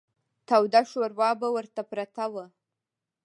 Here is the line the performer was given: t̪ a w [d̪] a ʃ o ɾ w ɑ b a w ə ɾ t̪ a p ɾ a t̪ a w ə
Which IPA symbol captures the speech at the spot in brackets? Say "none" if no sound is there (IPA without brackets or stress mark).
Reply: d̪